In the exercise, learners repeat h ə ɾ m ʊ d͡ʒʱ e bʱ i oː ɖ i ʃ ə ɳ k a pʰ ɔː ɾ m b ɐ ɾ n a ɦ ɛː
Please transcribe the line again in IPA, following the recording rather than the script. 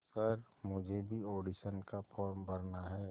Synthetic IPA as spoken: s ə ɾ m ʊ d͡ʒʱ e bʱ i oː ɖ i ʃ ə n k a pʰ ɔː ɾ m b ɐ ɾ n a ɦ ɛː